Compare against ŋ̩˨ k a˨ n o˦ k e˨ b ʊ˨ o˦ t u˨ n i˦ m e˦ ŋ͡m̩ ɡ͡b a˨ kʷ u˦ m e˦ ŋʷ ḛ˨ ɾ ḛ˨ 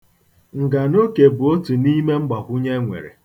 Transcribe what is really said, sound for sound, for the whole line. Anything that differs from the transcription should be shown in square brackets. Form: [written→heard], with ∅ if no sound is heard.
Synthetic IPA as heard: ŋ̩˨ [k→ɡ] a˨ n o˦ k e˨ b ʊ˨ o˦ t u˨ n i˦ m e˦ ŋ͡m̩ ɡ͡b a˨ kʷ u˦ [m→ɲ] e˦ ŋʷ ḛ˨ ɾ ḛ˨